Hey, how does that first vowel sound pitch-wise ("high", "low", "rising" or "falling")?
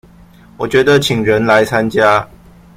low